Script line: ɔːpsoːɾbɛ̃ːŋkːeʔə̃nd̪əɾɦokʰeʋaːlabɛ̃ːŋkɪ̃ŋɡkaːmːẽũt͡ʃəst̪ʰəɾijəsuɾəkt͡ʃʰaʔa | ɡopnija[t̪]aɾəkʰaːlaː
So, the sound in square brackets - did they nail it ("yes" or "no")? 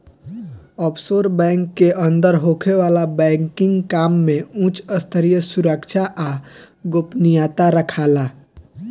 yes